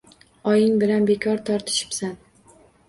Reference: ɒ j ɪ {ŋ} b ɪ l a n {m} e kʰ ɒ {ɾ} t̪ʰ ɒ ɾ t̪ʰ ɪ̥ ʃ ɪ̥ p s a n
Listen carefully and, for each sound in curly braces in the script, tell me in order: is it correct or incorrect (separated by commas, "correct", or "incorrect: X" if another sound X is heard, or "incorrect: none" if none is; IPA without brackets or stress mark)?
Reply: correct, incorrect: b, correct